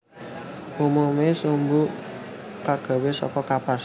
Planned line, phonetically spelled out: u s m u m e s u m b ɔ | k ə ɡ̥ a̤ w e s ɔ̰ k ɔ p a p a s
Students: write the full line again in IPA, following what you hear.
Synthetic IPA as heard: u m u m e s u m b u | k a ɡ̥ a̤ w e s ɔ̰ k ɔ k a p a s